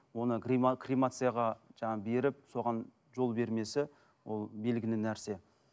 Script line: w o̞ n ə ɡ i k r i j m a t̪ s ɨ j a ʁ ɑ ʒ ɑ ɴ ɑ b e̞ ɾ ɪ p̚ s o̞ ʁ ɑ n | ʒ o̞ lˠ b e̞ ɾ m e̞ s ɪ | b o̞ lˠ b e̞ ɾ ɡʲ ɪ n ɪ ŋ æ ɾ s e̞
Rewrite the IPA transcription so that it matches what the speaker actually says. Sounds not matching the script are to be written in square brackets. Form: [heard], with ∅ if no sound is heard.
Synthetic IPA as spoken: w o̞ n ə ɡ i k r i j m a t̪ s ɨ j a ʁ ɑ ʒ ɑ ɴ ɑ b e̞ ɾ ɪ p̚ s o̞ ʁ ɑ n | ʒ o̞ lˠ b e̞ ɾ m e̞ s ɪ | [w] o̞ lˠ b e̞ [l] ɡʲ ɪ n ɪ [n] æ ɾ s e̞